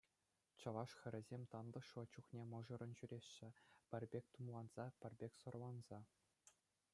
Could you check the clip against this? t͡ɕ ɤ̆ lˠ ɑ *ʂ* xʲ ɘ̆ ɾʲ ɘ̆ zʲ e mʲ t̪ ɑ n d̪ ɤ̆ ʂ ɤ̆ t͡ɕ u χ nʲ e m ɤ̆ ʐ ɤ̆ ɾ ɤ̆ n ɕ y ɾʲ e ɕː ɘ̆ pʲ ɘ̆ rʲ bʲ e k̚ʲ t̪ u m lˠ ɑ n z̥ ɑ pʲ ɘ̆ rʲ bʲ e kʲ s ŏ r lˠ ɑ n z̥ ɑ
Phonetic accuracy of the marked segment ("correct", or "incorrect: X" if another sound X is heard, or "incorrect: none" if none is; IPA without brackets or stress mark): correct